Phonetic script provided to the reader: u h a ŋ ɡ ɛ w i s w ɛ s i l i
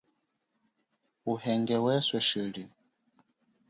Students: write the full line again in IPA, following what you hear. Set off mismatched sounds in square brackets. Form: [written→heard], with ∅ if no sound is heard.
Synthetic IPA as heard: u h [a→ɛ] ŋ ɡ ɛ w [i→ɛ] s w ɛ [s→ʃ] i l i